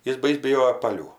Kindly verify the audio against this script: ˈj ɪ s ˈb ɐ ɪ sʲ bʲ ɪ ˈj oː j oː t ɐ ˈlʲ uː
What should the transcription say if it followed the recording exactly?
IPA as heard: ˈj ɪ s ˈb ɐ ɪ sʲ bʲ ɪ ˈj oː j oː p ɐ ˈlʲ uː